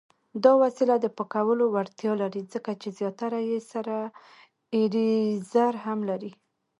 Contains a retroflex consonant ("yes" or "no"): no